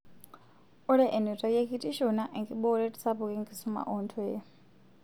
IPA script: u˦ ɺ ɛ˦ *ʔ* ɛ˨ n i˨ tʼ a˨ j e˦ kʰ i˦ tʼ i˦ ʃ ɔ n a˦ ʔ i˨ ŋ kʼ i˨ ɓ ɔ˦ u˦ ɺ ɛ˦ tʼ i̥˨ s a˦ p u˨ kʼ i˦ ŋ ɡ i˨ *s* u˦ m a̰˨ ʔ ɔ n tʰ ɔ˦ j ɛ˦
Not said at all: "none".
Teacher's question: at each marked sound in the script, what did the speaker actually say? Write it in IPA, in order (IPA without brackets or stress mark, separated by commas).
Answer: ʔ, s